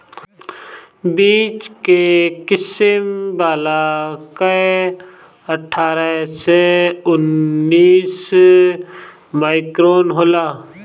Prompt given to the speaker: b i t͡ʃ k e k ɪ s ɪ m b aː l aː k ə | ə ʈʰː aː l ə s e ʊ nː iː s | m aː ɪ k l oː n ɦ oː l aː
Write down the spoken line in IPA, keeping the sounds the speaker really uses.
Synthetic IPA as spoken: b iː t͡ʃ k e k ɪ s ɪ m b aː l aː k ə | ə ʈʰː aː ɾ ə s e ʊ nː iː s | m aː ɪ k ɾ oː n ɦ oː l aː